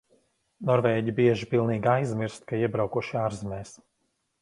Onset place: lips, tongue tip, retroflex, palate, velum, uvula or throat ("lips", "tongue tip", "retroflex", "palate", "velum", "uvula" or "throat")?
tongue tip